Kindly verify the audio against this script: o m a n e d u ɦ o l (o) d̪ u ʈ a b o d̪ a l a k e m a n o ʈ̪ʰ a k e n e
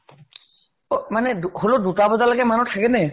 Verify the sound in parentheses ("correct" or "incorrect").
correct